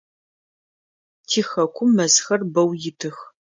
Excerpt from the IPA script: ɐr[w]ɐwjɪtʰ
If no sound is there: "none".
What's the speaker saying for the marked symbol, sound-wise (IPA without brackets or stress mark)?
b